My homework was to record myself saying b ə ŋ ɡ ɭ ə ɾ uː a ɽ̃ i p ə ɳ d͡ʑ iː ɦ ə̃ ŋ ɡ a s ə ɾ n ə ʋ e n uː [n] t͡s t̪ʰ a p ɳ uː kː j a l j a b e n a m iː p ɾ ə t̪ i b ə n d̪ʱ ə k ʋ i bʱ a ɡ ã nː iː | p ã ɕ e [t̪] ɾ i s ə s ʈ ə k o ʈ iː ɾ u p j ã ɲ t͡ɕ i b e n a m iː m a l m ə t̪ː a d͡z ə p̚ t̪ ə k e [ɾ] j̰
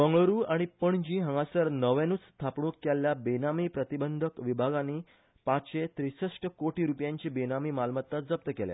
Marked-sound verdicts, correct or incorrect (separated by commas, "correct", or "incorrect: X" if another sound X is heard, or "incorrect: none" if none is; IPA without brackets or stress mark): incorrect: none, correct, incorrect: l